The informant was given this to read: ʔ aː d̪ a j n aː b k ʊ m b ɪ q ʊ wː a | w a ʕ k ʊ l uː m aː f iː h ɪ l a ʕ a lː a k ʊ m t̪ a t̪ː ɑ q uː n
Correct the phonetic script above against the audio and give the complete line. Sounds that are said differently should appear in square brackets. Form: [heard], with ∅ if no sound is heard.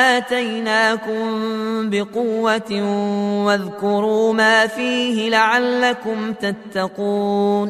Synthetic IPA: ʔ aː [t̪] a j n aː [∅] k ʊ m b ɪ q ʊ wː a | w a [ð] k ʊ [ɾ] uː m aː f iː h ɪ l a ʕ a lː a k ʊ m t̪ a t̪ː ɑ q uː n